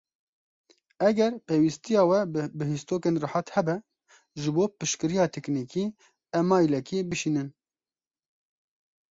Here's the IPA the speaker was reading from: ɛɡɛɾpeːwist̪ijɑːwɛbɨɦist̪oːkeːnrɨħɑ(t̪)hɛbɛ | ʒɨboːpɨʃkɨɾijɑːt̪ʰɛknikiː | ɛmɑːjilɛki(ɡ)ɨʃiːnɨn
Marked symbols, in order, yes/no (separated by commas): yes, no